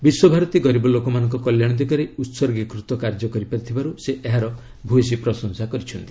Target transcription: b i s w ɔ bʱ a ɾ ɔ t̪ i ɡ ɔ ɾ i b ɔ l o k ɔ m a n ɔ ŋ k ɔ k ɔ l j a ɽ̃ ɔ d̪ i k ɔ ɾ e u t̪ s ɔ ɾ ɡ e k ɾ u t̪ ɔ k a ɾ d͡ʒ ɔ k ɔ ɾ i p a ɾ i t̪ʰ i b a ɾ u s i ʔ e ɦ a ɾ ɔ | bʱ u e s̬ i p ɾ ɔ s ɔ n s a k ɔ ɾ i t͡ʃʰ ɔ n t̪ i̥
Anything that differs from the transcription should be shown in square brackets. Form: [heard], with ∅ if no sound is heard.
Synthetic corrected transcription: b i s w ɔ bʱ a ɾ ɔ t̪ i ɡ ɔ ɾ i b ɔ l o k ɔ m a n ɔ ŋ k ɔ k ɔ l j a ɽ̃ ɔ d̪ i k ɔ ɾ e u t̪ s ɔ ɾ ɡ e k ɾ u t̪ ɔ k a ɾ d͡ʒ ɔ k ɔ ɾ i p a ɾ i t̪ʰ i b a ɾ u s [e] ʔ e ɦ a ɾ ɔ | bʱ u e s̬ i p ɾ ɔ s ɔ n s a k ɔ ɾ i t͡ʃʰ ɔ n t̪ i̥